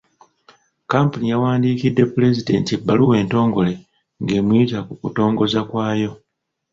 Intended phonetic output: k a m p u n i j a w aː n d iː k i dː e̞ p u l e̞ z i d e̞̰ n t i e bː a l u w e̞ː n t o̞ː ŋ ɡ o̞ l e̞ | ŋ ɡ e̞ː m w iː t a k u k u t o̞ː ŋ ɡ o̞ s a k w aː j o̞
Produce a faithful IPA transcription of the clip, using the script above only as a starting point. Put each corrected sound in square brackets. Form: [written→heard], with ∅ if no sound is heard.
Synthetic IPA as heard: k a m p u n i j a w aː n d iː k i dː e̞ p u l e̞ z i d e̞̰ n t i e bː a l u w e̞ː n t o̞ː ŋ ɡ o̞ l e̞ | ŋ ɡ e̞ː m w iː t a k u k u t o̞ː ŋ ɡ o̞ [s→z] a k w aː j o̞